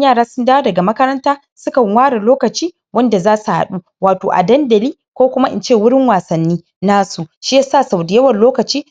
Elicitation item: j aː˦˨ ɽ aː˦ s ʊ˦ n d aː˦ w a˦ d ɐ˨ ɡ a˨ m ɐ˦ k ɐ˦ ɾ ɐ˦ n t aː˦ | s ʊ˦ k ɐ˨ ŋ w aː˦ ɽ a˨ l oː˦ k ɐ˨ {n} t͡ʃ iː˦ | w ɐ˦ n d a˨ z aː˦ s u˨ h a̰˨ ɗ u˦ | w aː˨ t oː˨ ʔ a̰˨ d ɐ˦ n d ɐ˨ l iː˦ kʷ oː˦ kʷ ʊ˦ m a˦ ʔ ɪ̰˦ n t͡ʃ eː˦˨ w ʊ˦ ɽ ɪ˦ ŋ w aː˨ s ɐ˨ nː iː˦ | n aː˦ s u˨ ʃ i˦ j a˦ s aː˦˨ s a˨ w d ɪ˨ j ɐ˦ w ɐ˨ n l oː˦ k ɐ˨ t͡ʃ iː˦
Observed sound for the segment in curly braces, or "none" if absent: none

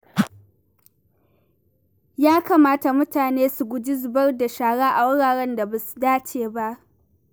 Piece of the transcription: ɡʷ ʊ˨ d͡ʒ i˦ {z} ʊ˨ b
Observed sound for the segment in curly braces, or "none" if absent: z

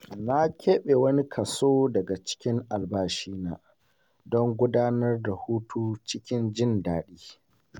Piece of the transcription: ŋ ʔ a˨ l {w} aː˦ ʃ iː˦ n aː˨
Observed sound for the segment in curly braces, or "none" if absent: b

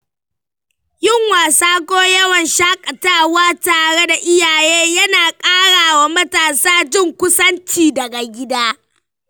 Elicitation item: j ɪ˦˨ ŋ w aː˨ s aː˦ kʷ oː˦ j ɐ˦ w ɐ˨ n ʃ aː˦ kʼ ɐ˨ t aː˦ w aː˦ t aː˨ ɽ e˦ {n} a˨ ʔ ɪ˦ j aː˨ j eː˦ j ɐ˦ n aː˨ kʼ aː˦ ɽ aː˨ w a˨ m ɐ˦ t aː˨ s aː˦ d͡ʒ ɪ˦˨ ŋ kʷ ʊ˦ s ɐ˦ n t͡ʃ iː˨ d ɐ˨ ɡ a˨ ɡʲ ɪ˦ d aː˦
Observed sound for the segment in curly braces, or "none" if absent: d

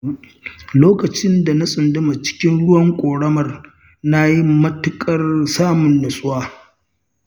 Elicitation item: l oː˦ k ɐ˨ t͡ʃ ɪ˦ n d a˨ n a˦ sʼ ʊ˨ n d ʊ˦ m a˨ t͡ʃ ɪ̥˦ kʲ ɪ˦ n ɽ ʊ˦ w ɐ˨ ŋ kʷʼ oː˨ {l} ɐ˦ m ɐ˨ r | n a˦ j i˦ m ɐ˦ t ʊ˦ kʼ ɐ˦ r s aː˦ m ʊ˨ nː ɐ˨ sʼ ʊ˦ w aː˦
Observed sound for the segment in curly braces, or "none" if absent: ɽ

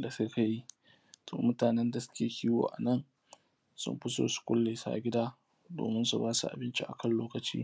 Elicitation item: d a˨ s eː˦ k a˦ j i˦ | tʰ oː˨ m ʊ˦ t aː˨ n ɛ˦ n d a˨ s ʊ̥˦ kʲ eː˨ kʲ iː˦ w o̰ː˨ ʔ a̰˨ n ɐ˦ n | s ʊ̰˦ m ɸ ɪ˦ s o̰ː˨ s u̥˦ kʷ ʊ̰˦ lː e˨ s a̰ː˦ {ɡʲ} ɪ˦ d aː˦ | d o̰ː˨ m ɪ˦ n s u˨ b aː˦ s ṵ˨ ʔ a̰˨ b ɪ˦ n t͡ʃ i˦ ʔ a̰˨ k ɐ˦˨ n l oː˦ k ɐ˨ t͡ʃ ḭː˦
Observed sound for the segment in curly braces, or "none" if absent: ɡʲ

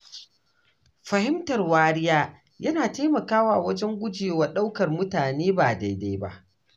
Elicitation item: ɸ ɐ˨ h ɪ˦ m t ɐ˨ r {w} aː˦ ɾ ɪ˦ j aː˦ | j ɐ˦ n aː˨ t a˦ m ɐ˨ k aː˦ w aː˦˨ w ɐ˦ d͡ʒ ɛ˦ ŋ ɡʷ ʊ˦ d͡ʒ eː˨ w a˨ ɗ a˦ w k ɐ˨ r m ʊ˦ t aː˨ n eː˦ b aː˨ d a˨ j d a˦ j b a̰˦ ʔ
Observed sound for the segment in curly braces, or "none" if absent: w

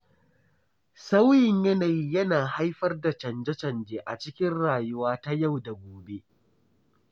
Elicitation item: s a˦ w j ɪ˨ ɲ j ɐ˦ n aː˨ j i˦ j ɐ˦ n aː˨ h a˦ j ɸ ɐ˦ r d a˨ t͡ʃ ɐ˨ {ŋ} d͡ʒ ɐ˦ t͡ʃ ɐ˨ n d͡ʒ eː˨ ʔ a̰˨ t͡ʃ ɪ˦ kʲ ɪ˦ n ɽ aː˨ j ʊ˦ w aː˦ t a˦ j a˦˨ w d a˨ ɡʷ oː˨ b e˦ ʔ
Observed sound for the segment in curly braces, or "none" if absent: n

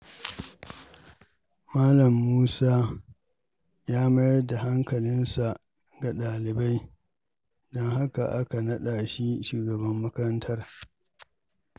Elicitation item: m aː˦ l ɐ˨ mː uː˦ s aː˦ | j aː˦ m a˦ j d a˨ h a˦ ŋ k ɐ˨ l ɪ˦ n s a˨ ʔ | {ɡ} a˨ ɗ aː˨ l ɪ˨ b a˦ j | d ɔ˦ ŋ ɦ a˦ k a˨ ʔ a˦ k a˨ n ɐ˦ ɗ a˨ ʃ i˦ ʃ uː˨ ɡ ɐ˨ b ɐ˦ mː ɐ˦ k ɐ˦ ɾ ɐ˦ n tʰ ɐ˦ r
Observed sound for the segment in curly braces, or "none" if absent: ɡ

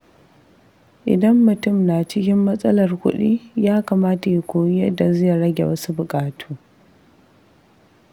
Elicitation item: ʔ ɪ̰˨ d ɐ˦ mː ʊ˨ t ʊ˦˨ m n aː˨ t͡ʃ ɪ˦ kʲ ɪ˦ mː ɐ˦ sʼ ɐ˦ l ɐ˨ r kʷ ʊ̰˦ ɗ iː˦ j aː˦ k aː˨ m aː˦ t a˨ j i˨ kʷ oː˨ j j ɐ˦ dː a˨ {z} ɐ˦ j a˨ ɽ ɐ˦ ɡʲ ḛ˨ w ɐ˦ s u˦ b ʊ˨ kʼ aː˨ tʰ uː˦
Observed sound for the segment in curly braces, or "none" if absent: z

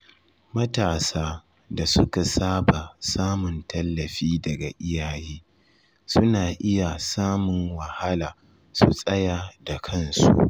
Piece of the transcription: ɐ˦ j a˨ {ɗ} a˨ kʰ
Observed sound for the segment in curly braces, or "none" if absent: d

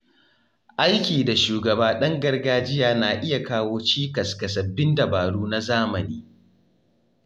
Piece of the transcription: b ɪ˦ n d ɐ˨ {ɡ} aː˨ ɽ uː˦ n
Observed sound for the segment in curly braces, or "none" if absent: b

